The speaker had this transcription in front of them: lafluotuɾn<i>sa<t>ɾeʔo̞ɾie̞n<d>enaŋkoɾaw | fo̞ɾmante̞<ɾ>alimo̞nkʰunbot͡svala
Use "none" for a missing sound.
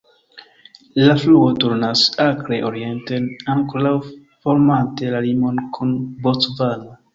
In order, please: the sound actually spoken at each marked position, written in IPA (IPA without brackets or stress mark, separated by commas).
a, k, t, l